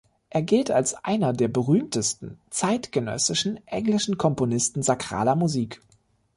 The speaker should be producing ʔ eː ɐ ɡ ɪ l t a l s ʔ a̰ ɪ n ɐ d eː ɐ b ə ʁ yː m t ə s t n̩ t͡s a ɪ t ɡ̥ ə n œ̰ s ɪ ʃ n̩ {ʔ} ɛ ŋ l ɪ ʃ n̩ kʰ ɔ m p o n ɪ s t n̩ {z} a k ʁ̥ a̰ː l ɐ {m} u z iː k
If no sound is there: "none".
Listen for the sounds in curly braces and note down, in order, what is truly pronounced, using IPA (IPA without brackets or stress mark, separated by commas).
ʔ, z, m